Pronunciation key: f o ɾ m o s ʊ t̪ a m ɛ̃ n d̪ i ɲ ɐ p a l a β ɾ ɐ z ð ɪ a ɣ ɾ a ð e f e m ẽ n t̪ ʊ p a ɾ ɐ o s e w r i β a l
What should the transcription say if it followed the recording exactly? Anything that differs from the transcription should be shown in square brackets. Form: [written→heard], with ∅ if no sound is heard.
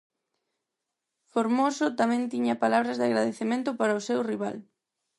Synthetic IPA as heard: f o ɾ m o s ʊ t̪ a m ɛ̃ n [d̪→t̪] i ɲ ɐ p a l a β ɾ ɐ z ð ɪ a ɣ ɾ a ð e [f→θ] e m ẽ n t̪ ʊ p a ɾ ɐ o s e w r i β a l